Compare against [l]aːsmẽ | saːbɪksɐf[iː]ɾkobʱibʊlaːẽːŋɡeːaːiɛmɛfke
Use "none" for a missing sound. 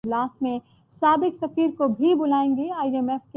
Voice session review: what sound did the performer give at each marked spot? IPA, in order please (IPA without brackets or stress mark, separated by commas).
l, iː